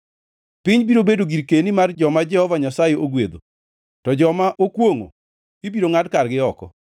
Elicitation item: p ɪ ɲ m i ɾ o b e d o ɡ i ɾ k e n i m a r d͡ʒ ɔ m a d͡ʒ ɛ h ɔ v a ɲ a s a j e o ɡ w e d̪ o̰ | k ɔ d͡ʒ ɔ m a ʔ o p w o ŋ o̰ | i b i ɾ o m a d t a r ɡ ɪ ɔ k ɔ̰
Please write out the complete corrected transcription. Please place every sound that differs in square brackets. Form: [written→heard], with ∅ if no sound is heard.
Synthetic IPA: p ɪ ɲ [m→b] i ɾ o b e d o ɡ i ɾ k e n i m a r d͡ʒ ɔ m a d͡ʒ ɛ h ɔ v a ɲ a s a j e o ɡ w e d̪ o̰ | [k→t] ɔ d͡ʒ ɔ m a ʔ o [p→k] w o ŋ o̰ | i b i ɾ o [m→ŋ] a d [t→k] a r ɡ ɪ ɔ k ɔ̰